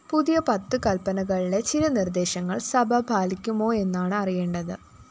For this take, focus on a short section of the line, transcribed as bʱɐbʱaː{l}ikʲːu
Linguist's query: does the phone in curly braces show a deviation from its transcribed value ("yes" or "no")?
no